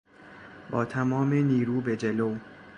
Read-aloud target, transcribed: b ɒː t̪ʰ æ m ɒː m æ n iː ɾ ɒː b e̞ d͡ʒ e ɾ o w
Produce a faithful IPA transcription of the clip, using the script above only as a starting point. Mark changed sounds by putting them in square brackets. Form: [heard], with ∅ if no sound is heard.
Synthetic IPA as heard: b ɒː t̪ʰ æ m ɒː m [e] n iː ɾ [uː] b e̞ d͡ʒ e [l] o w